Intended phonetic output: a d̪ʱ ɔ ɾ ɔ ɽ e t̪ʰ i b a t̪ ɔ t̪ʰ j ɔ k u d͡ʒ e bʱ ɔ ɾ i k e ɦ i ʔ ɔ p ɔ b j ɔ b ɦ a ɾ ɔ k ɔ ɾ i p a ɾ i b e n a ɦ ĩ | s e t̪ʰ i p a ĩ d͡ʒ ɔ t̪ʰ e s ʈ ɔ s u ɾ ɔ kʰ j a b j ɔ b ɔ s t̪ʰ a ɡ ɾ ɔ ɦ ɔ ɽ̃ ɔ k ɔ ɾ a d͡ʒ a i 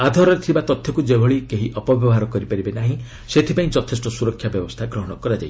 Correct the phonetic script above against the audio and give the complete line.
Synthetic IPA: a d̪ʱ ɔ ɾ ɔ ɾ e t̪ʰ i b a t̪ ɔ t̪ʰ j ɔ k u d͡ʒ e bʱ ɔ ɭ i k e ɦ i ʔ ɔ p ɔ b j ɔ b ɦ a ɾ ɔ k ɔ ɾ i p a ɾ i b e n a ɦ ĩ | s e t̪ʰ i p a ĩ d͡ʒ ɔ t̪ʰ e s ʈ ɔ s u ɾ ɔ kʰ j a b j ɔ b ɔ s t̪ʰ a ɡ ɾ ɔ ɦ ɔ ɽ̃ ɔ k ɔ ɾ a d͡ʒ a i

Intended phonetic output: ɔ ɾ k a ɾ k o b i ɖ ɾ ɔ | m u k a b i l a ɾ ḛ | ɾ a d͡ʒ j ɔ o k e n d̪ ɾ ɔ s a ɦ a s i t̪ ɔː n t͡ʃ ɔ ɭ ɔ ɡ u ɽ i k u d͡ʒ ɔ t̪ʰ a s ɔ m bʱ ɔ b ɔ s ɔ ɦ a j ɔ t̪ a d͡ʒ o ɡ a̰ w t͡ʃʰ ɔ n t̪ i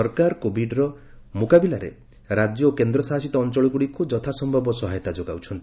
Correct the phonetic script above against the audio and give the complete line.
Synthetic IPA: ɔ ɾ k a ɾ k o b i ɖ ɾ ɔ | m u k a b i l a ɾ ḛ | ɾ a d͡ʒ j ɔ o k e n d̪ ɾ ɔ s a ɦ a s i t̪ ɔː n t͡ʃ ɔ ɭ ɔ ɡ u ɽ i k u d͡ʒ ɔ t̪ʰ a s ɔ m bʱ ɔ b ɔ s ɔ ɦ a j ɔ t̪ a d͡ʒ o ɡ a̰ w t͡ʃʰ ɔ n t̪ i

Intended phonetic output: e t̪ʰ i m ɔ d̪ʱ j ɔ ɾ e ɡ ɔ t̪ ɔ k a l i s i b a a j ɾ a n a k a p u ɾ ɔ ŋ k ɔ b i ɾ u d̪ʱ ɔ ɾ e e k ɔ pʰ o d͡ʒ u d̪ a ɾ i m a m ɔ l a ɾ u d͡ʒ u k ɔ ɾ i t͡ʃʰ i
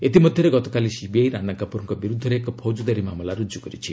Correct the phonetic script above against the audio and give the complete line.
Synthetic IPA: e t̪ i m ɔ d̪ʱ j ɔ ɾ e ɡ ɔ t̪ ɔ k a l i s i b i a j ɾ a n a k a p u ɾ ɔ ŋ k ɔ b i ɾ u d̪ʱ ɔ ɾ e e k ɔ pʰ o d͡ʒ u d̪ a ɾ i m a m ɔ l a ɾ u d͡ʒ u k ɔ ɾ i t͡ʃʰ i

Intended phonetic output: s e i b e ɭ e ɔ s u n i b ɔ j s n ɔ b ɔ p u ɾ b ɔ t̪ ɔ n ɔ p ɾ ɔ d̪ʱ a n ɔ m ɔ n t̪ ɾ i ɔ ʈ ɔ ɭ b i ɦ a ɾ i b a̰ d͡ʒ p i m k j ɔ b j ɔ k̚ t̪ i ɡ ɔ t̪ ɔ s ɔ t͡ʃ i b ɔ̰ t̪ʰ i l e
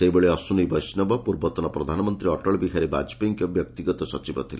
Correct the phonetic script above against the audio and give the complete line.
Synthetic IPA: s e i b e ɭ e ɔ s u n i b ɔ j s n ɔ b ɔ p u ɾ b ɔ t̪ ɔ n ɔ p ɾ ɔ d̪ʱ a n ɔ m ɔ n t̪ ɾ i ɔ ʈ ɔ ɭ b i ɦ a ɾ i b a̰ d͡ʒ p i ŋ k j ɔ b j ɔ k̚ t̪ i ɡ ɔ t̪ ɔ s ɔ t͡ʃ i b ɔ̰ t̪ʰ i l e

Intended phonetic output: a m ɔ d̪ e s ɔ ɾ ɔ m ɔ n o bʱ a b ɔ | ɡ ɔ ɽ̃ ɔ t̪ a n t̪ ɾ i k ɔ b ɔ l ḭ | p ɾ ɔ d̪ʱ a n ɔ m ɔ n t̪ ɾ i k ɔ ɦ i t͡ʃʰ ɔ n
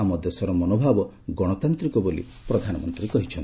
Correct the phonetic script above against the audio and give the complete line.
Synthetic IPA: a m ɔ d̪ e s ɔ ɾ ɔ m ɔ n o bʱ a b ɔ | ɡ ɔ ɽ̃ ɔ t̪ a n t̪ ɾ i k ɔ b o l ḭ | p ɾ ɔ d̪ʱ a n ɔ m ɔ n t̪ ɾ i k ɔ ɦ i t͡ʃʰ ɔ n

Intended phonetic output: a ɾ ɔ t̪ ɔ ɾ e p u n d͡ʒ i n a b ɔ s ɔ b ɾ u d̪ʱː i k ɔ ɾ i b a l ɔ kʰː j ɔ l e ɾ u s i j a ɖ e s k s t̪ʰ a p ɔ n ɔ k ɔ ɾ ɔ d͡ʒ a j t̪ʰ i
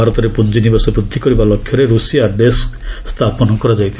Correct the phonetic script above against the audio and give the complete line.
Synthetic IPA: a ɾ ɔ t̪ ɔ ɾ e p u n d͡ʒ i n i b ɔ s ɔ b ɾ u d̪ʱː i k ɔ ɾ i b a l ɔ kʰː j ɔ ɾ e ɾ u s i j a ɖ e s k s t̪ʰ a p ɔ n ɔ k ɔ ɾ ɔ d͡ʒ a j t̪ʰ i

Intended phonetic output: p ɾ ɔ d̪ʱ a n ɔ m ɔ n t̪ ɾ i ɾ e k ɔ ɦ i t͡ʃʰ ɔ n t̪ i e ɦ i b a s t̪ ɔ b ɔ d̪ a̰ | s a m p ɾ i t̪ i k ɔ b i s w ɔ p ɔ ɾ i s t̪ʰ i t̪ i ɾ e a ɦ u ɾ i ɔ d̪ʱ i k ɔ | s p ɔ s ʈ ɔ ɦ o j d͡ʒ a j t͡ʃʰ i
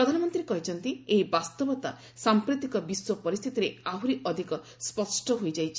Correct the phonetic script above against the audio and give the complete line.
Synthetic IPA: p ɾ ɔ d̪ʱ a n ɔ m ɔ n t̪ ɾ i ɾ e k ɔ ɦ i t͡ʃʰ ɔ n t̪ i e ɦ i b a s t̪ ɔ b ɔ t̪ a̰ | s a m p ɾ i t̪ i k ɔ b i s w ɔ p ɔ ɾ i s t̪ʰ i t̪ i ɾ e a ɦ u ɾ i ɔ d̪ʱ i k ɔ | s p ɔ s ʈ ɔ ɦ o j d͡ʒ a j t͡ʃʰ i

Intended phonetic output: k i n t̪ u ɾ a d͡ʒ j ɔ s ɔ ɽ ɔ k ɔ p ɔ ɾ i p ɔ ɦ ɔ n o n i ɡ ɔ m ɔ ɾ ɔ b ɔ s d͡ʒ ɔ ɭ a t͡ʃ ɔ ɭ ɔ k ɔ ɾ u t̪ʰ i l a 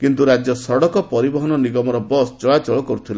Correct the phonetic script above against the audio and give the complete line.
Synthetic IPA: k i n t̪ u ɾ a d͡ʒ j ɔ s ɔ ɽ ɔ k ɔ p ɔ ɾ i b ɔ ɦ ɔ n ɔ n i ɡ ɔ m ɔ ɾ ɔ b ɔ s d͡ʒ ɔ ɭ a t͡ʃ ɔ ɭ ɔ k ɔ ɾ u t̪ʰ i l a

